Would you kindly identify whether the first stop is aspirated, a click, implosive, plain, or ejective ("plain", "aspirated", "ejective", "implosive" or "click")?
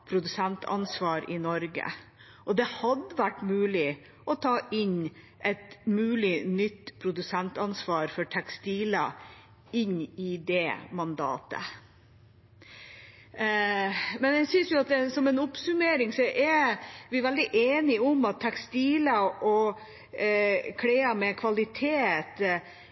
aspirated